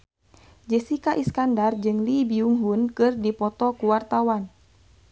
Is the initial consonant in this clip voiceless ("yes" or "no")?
no